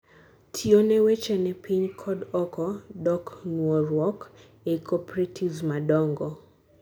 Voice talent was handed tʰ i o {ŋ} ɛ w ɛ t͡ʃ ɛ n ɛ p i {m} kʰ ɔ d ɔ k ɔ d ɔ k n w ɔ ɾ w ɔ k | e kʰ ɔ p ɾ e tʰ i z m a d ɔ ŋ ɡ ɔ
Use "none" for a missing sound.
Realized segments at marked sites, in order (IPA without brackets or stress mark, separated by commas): n, ɲ